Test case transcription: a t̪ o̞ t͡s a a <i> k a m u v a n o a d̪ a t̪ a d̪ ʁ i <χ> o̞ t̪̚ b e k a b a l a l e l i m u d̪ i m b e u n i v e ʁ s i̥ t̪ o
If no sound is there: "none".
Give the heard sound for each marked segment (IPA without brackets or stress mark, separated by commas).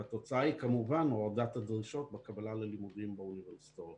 i, ʃ